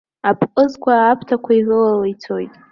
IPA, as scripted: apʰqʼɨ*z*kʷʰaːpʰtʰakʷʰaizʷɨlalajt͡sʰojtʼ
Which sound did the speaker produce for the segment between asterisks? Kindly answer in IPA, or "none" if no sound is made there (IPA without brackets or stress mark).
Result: z